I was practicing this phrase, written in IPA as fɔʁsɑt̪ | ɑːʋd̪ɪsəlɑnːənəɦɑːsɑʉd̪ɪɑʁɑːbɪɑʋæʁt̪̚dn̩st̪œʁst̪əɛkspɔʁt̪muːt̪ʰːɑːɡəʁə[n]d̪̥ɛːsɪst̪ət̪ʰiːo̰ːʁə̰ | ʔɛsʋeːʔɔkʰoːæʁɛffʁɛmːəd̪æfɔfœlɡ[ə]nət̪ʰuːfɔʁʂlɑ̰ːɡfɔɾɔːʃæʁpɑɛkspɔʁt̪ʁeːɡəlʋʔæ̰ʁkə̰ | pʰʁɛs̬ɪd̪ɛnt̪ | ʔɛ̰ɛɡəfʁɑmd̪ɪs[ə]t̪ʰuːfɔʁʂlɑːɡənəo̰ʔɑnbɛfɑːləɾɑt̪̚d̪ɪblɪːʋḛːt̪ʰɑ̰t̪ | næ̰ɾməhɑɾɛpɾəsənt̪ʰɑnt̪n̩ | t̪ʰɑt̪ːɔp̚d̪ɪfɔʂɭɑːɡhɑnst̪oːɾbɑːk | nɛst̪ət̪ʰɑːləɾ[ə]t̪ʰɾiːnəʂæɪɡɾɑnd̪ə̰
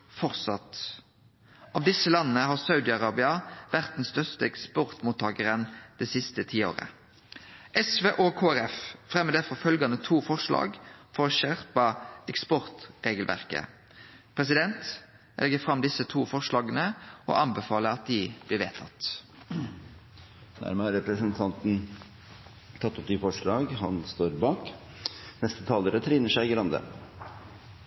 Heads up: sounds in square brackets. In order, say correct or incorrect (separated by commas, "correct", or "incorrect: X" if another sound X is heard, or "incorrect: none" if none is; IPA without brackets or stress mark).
correct, incorrect: ɑ, correct, correct